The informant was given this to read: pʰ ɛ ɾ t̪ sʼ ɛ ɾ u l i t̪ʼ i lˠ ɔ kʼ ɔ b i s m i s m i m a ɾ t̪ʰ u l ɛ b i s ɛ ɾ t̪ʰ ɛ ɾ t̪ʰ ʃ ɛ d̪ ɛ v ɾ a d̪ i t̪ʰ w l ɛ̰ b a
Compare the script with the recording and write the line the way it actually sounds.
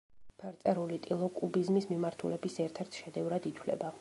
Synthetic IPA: pʰ ɛ ɾ t̪ sʼ ɛ ɾ u l i t̪ʼ i lˠ ɔ kʼ u b i z m i s m i m a ɾ t̪ʰ u l ɛ b i s ɛ ɾ t̪ʰ ɛ ɾ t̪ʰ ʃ ɛ d̪ ɛ v ɾ a d̪ i t̪ʰ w l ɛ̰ b a